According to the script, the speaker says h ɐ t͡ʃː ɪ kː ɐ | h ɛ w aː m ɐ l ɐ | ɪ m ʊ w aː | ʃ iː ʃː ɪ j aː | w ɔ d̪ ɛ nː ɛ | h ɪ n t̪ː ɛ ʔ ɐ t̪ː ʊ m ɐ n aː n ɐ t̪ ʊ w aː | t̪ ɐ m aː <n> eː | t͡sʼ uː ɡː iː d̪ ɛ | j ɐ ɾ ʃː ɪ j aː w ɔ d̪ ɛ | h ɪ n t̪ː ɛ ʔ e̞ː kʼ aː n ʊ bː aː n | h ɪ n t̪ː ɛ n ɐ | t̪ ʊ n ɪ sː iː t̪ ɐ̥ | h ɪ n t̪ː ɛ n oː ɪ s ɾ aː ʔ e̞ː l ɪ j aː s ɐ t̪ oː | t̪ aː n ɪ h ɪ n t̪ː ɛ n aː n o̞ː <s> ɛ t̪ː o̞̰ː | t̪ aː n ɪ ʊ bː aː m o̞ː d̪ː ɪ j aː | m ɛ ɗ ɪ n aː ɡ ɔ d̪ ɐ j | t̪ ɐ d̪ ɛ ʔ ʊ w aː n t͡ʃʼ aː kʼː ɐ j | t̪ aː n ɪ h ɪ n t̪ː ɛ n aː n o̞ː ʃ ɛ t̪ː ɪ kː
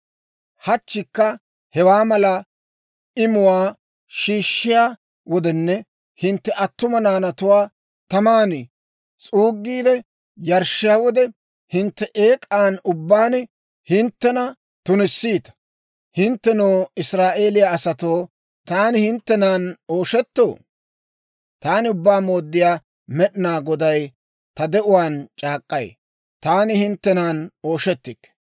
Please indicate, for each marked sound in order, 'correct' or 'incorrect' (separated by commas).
correct, incorrect